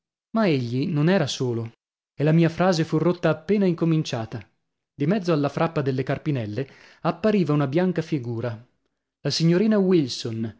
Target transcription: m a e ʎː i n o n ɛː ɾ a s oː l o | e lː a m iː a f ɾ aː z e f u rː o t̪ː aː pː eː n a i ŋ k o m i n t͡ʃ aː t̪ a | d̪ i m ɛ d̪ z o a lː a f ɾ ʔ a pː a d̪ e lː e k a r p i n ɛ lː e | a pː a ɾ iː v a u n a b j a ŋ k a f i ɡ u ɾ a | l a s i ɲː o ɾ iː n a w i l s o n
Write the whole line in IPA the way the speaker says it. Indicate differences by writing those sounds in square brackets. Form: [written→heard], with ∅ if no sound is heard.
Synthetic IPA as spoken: m a e ʎː i n o n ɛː ɾ a s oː l o | e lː a m iː a f ɾ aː z e f u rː o t̪ː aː pː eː n a i ŋ k o m i n t͡ʃ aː t̪ a | d̪ i m ɛ d̪ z o a lː a f ɾ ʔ a pː a d̪ e lː e k a r p i n ɛ lː e | a pː a ɾ iː v a u n a b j a ŋ k a f i ɡ [u→uː] ɾ a | l a s i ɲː o ɾ iː n a w i l s o n